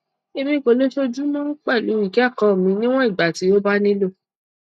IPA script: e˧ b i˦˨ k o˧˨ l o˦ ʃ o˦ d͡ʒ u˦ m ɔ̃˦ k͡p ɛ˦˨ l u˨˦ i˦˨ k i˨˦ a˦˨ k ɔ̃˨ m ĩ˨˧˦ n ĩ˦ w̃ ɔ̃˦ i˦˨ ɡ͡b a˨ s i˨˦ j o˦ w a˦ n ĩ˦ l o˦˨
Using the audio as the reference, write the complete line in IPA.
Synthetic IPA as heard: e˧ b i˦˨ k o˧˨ l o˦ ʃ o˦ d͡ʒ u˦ m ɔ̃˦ k͡p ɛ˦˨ l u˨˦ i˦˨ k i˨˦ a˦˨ k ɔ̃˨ m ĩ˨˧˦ n ĩ˦ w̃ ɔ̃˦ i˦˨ ɡ͡b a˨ t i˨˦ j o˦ b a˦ n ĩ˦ l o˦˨